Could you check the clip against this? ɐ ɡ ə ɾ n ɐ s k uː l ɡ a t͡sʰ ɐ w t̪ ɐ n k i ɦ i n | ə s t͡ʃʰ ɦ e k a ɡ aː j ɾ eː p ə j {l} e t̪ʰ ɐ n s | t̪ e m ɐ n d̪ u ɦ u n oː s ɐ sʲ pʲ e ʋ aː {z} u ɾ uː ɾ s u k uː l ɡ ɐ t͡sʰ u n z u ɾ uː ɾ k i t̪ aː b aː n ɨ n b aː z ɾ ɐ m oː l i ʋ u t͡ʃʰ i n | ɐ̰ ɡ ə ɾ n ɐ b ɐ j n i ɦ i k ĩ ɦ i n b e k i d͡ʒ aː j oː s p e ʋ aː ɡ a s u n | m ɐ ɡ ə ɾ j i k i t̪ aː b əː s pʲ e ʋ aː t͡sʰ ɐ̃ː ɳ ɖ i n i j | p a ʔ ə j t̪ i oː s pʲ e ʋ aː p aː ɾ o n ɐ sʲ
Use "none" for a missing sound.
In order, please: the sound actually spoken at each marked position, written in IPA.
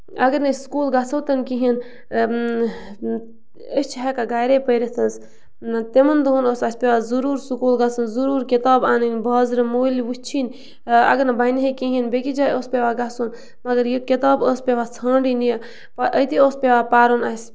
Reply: ɾ, z

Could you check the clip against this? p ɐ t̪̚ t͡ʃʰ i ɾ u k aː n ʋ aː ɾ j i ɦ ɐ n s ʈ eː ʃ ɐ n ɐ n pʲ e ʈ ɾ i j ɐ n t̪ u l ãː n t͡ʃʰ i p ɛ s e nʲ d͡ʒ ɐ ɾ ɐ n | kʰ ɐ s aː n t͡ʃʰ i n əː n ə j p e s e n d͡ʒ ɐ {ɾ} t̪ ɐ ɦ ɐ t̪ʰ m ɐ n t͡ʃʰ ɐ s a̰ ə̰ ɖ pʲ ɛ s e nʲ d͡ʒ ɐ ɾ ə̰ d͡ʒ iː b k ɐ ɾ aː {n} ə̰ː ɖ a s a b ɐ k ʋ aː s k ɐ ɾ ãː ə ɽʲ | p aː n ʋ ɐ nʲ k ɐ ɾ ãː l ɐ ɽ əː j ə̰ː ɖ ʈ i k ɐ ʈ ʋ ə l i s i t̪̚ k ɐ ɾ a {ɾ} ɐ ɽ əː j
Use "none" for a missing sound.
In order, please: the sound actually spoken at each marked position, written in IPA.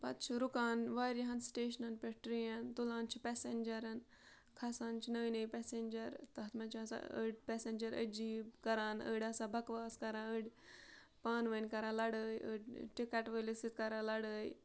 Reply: ɾ, n, l

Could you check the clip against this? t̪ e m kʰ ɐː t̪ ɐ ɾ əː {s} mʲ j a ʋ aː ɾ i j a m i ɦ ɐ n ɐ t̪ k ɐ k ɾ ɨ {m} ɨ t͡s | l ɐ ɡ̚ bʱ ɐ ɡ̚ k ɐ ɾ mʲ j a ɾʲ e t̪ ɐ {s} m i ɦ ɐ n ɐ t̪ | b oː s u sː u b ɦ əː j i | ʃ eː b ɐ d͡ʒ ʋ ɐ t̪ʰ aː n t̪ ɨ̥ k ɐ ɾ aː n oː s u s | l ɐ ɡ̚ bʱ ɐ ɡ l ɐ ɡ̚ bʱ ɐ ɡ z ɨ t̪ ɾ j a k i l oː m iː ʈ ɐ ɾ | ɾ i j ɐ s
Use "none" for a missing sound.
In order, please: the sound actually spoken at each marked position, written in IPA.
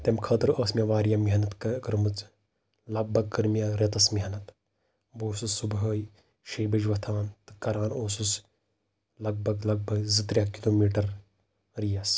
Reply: s, m, s

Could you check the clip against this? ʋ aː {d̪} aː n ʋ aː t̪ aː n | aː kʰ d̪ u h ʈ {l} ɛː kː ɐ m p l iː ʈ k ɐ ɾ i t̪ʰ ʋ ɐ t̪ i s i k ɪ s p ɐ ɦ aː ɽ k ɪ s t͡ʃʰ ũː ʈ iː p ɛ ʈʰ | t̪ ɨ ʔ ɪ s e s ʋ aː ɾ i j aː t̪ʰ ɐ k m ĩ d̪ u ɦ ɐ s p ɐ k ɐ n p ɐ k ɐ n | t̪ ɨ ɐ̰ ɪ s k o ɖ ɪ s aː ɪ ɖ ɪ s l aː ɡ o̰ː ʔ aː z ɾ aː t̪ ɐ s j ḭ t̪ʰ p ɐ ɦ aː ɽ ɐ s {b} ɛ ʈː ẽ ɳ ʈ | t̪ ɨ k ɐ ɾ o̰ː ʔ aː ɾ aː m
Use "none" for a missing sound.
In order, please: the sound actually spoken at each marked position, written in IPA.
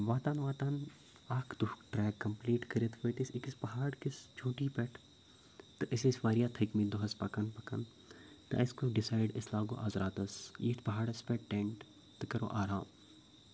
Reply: t̪, ɾ, p

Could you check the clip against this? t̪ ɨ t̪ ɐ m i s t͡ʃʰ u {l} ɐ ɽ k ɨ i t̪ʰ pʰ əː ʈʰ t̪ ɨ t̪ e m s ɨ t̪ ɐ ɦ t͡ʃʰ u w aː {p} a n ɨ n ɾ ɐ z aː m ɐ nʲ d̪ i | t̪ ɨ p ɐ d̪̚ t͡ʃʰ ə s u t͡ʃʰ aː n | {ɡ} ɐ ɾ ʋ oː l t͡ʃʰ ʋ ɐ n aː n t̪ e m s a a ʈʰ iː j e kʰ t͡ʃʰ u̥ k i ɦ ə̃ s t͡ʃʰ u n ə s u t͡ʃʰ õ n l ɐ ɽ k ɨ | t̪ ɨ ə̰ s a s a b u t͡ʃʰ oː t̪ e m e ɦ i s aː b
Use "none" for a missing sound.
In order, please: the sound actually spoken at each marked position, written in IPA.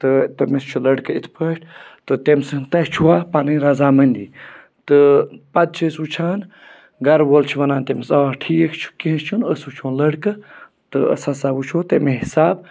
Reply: l, p, ɡ

